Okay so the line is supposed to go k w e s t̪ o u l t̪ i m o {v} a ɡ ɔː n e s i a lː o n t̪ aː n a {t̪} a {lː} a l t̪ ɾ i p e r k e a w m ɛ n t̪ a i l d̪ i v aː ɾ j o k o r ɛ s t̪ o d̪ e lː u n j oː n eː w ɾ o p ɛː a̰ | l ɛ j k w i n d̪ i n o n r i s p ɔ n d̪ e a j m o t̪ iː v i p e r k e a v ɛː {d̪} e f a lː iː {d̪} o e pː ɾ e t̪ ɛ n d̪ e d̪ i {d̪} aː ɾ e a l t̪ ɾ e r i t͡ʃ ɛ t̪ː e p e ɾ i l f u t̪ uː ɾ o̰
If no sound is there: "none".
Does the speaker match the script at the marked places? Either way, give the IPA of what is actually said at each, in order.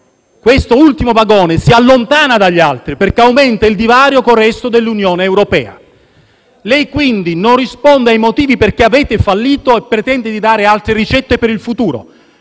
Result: v, d̪, ʎː, t̪, t̪, d̪

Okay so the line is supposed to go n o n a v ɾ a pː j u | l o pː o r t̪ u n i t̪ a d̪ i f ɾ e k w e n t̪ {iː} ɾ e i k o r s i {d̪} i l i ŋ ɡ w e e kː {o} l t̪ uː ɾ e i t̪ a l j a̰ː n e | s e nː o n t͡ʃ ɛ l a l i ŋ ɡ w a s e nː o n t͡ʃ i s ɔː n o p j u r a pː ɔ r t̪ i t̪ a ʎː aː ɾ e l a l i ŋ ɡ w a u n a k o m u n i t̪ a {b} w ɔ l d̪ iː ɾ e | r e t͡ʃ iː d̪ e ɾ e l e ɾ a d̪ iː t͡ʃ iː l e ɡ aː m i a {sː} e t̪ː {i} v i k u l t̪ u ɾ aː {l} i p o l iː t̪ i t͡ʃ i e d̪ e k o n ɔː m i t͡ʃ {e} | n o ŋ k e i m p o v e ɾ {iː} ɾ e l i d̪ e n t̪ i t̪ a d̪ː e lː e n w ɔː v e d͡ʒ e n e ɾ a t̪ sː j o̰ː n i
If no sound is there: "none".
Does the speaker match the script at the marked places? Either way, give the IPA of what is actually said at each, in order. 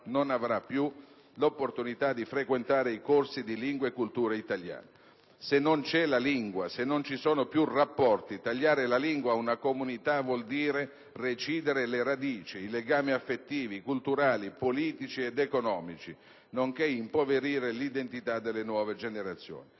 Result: aː, d̪, u, v, fː, iː, l, i, iː

